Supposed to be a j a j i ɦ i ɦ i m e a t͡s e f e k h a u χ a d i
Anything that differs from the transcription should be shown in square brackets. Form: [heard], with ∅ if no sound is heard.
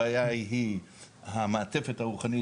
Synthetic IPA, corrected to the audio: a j a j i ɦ i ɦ [a] m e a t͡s e f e [t] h a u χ a [n] i